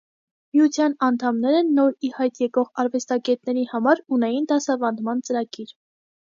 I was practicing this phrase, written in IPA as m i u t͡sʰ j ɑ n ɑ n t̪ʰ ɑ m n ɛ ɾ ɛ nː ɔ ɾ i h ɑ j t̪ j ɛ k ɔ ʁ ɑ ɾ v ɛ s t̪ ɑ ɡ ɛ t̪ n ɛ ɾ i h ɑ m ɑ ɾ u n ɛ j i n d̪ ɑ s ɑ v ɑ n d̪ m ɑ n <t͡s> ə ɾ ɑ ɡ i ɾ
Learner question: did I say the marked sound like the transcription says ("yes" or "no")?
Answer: yes